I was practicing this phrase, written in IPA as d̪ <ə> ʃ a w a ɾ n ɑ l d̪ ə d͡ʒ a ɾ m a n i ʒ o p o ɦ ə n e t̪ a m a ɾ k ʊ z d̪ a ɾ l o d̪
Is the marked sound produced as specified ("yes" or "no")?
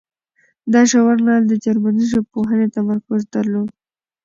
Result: no